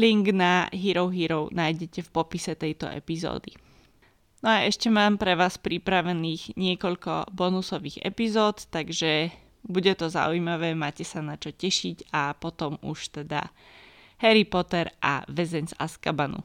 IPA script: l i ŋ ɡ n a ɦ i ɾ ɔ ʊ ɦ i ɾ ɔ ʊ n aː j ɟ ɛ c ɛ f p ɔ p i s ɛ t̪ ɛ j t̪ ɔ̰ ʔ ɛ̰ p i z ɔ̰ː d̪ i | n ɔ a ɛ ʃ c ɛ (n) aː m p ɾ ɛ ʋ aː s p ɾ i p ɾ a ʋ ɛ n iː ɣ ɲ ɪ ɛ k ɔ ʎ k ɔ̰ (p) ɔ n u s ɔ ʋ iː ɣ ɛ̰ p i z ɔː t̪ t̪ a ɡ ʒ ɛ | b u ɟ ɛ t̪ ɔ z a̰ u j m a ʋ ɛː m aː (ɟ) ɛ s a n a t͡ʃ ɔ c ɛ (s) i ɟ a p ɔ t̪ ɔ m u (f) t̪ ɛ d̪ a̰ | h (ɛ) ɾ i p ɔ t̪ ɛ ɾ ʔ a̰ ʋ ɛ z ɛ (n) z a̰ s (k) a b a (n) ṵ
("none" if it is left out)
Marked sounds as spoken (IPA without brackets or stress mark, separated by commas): m, b, c, ʃ, ʃ, ɛ, ɲ, k, n